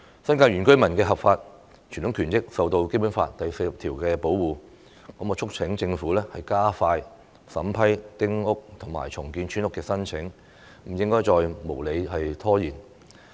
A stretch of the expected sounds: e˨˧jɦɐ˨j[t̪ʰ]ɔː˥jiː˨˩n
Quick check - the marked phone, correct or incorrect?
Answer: correct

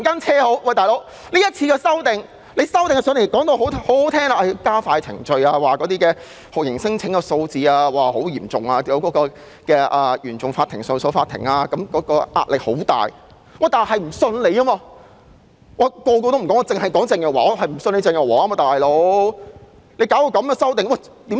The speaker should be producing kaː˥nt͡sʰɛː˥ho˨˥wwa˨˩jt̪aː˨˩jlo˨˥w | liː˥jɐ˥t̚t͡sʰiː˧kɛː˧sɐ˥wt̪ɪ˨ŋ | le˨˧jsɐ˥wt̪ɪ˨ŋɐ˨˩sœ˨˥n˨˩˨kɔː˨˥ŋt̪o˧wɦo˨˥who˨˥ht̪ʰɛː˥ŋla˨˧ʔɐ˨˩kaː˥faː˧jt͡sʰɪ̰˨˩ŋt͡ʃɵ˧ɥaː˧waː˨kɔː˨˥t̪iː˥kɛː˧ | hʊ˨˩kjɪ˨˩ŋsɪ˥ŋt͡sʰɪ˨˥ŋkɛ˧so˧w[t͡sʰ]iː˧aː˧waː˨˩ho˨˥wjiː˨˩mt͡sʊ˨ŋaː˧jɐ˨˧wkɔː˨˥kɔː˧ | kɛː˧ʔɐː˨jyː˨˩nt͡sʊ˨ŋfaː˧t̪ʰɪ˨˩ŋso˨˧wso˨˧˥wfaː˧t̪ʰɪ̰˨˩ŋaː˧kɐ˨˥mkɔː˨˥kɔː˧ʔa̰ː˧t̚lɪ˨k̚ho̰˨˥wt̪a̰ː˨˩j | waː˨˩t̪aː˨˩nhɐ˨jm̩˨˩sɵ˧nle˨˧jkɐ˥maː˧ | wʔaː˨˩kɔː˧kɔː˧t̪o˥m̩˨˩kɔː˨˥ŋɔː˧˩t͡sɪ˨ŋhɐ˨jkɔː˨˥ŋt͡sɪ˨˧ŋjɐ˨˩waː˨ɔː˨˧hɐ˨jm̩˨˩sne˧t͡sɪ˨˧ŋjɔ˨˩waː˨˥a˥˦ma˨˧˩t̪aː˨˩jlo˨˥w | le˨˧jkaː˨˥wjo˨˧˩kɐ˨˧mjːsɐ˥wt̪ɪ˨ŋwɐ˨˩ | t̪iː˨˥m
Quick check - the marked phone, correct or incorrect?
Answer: incorrect: t͡s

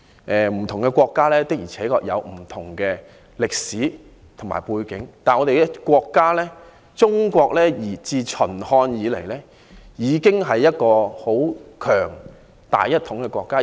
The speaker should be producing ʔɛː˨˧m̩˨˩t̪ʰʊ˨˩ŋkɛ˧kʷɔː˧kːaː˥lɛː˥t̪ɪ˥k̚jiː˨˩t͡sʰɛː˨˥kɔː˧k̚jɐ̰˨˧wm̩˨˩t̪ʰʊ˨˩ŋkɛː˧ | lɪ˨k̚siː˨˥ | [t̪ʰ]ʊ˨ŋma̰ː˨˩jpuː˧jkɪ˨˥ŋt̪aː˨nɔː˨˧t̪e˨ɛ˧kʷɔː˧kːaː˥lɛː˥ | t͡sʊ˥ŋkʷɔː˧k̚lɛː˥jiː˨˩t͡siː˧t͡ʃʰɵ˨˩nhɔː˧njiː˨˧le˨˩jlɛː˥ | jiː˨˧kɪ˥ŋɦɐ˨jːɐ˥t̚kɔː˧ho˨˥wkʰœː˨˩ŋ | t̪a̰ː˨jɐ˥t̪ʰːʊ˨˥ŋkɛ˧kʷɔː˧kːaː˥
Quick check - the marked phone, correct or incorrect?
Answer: correct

